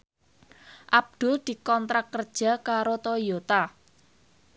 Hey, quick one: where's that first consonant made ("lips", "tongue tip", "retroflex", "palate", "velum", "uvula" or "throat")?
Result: throat